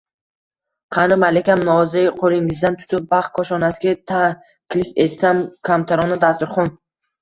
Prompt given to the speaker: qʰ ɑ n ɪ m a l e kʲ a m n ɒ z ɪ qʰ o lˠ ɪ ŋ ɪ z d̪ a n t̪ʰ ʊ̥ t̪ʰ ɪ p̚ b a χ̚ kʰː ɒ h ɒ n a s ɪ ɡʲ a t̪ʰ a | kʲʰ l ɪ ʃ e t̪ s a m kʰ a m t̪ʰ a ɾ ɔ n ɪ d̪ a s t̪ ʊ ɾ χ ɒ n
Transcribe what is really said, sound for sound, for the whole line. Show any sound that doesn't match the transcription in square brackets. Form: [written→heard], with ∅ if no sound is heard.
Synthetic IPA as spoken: qʰ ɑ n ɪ m a l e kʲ a m n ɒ z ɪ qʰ o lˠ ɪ ŋ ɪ z d̪ a n t̪ʰ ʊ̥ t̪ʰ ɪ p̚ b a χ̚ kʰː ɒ [h→ʃ] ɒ n a s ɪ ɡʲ a t̪ʰ a | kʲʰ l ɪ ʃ e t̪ s a m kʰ a m t̪ʰ a ɾ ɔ n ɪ d̪ a s t̪ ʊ ɾ χ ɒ n